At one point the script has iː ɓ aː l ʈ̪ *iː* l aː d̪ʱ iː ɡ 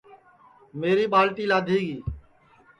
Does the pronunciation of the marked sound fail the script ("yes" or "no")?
no